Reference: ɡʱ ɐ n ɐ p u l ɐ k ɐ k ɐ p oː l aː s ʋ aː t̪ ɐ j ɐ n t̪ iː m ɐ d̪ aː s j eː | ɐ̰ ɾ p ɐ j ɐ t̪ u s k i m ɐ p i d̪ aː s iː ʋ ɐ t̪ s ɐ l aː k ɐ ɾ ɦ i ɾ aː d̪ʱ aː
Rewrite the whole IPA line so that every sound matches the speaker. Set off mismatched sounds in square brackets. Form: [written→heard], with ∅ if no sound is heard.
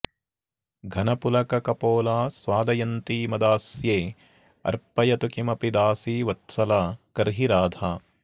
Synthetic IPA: ɡʱ ɐ n ɐ p u l ɐ k ɐ k ɐ p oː l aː s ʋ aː [t̪→d̪] ɐ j ɐ n t̪ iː m ɐ d̪ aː s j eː | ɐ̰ ɾ p ɐ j ɐ t̪ u [s→∅] k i m ɐ p i d̪ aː s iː ʋ ɐ t̪ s ɐ l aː k ɐ ɾ ɦ i ɾ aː d̪ʱ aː